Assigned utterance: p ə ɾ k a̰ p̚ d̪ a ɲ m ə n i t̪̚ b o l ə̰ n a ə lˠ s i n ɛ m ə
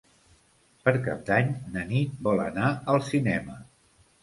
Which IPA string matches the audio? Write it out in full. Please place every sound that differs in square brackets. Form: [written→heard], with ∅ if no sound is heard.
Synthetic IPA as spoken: p ə ɾ k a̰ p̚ d̪ a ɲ [m→n] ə n i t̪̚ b [o→ɔ] l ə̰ n a ə lˠ s i n ɛ m ə